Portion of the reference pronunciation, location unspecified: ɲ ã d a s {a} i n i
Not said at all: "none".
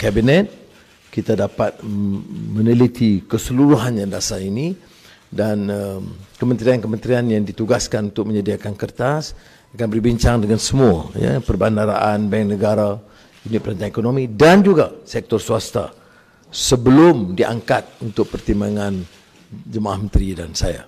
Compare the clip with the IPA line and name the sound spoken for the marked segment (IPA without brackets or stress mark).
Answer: a